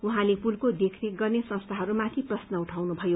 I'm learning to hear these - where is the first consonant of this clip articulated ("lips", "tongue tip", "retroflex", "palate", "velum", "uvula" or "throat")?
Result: throat